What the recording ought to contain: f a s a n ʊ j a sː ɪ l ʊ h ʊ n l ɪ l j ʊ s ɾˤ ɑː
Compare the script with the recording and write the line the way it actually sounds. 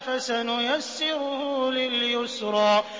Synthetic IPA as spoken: f a s a n ʊ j a sː ɪ ɾ ʊ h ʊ l ɪ l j ʊ s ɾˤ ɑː